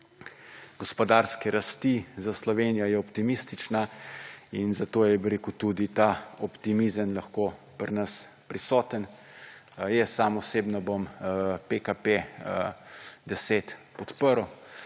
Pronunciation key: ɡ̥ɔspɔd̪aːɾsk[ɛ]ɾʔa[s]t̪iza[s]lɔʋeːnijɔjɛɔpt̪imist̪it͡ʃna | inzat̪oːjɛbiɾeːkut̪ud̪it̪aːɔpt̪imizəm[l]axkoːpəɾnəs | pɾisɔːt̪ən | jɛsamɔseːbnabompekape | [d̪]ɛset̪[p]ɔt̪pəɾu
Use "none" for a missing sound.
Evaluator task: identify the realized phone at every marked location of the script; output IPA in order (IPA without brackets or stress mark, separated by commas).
ɛ, s, s, l, d̪, p